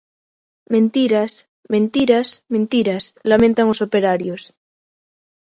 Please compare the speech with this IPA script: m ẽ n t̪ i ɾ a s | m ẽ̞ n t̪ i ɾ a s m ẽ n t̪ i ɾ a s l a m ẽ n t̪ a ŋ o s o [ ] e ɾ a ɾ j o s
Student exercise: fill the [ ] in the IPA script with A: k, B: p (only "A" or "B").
B